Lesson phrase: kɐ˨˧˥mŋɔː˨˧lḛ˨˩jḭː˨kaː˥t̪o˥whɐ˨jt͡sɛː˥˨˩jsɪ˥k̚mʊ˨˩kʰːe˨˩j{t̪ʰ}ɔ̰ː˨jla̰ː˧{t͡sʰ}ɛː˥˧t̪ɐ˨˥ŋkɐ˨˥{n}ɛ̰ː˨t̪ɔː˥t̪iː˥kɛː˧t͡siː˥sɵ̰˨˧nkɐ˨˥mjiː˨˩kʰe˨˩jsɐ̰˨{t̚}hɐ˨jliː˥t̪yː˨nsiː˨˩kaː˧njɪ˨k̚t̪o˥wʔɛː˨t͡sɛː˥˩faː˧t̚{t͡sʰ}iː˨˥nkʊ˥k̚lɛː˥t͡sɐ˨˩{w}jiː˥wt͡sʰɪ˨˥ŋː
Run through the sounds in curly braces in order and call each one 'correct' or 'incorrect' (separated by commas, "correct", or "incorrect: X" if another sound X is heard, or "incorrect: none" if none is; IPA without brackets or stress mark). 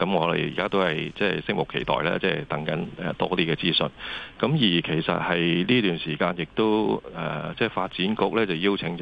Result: incorrect: t̪, incorrect: t͡s, correct, correct, incorrect: t͡s, correct